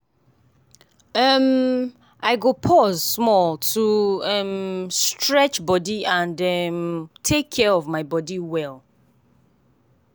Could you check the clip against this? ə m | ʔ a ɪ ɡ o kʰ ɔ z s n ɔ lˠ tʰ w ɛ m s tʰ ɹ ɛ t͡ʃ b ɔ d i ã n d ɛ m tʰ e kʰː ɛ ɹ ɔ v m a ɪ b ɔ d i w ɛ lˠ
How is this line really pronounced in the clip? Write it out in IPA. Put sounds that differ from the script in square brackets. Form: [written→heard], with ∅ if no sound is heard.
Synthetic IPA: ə m | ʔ a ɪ ɡ o [kʰ→pʰ] ɔ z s [n→m] ɔ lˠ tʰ [w→u] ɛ m s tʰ ɹ ɛ t͡ʃ b ɔ d i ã n d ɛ m tʰ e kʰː ɛ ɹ ɔ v m a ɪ b ɔ d i w ɛ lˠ